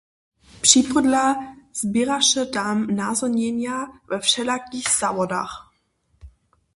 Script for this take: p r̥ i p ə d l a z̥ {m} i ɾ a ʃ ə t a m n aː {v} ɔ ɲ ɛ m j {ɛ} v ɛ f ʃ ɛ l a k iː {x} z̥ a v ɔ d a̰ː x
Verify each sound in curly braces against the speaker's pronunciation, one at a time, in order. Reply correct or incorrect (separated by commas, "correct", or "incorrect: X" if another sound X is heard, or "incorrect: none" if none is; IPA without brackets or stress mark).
incorrect: b, incorrect: z, incorrect: a, correct